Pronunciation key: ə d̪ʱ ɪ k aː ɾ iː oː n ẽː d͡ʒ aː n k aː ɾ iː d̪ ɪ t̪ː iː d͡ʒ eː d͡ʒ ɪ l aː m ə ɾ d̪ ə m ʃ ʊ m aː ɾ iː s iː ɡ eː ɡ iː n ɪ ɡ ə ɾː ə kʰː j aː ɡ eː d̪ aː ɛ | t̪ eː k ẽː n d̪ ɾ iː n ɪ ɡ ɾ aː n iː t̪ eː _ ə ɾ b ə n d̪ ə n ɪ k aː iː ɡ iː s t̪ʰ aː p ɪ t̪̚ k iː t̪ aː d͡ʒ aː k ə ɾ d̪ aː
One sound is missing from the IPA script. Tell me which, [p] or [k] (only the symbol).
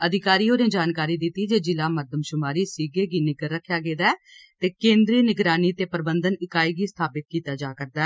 p